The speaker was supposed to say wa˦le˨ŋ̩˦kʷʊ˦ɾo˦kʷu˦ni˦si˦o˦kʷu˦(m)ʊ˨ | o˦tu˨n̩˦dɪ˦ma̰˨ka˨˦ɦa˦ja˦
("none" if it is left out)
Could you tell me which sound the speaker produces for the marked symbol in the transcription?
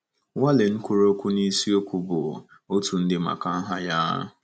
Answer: b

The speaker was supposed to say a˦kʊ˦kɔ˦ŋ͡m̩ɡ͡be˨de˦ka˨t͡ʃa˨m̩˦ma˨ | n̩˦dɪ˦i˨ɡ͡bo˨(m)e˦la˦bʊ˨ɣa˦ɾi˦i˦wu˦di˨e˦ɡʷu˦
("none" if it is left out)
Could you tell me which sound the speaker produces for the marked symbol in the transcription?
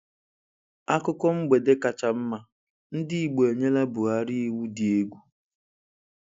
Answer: ɲ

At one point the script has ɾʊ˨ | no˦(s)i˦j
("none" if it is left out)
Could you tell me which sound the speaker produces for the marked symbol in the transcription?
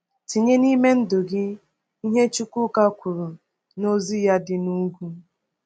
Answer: z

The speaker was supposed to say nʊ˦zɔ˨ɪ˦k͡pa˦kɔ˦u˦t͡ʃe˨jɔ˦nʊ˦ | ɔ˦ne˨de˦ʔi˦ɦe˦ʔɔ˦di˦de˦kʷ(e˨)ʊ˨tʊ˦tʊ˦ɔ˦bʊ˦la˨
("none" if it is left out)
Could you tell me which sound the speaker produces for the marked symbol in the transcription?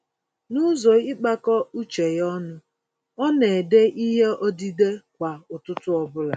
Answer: a˨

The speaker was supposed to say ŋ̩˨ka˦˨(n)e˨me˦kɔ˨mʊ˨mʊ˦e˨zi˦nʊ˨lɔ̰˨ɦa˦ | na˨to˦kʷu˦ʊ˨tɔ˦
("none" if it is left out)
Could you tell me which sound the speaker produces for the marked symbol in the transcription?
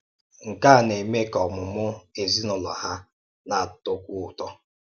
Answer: n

